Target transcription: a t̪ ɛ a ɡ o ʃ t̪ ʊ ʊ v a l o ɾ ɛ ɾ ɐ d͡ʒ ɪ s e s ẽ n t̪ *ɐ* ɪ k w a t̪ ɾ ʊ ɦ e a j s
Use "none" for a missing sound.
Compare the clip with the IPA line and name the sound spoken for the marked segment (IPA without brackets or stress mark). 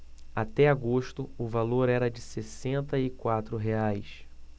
ɐ